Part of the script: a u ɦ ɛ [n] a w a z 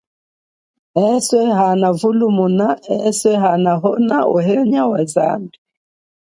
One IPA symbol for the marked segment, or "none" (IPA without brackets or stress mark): ɲ